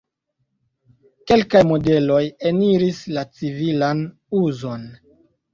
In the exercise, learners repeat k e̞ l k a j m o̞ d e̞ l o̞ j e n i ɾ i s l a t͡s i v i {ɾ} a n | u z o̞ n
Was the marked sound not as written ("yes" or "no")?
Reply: yes